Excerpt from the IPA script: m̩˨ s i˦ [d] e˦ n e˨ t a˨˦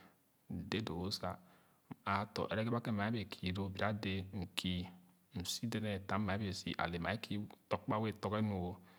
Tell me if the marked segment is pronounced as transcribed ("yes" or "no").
yes